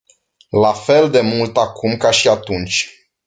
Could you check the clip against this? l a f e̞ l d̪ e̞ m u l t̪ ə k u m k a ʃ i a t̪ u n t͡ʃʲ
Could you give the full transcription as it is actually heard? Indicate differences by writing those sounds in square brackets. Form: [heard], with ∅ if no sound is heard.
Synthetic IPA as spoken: l a f e̞ l d̪ e̞ m u l t̪ [a] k u m k a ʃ i a t̪ u n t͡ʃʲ